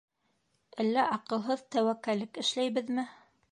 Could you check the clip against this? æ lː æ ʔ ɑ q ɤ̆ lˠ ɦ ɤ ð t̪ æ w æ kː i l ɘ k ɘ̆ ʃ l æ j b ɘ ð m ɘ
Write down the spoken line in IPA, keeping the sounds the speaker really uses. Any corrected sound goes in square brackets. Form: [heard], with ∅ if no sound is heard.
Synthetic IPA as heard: æ lː æ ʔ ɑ q ɤ̆ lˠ ɦ ɤ ð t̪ æ w æ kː [æ] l ɘ k ɘ̆ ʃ l æ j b ɘ ð m ɘ